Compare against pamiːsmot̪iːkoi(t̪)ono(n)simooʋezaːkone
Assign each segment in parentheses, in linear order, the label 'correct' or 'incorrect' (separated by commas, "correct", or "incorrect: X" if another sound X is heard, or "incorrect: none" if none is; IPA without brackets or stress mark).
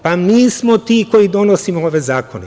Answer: incorrect: d̪, incorrect: none